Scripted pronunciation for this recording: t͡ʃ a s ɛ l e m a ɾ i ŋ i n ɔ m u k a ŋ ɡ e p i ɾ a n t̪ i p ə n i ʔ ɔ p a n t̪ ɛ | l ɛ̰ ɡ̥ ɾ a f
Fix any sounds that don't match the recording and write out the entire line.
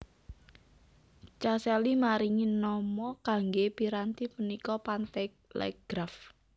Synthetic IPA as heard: t͡ʃ a s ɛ l i m a ɾ i ŋ i n ɔ m ɔ k a ŋ ɡ e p i ɾ a n t̪ i p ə n i k ɔ p a n t̪ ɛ | l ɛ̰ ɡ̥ ɾ a f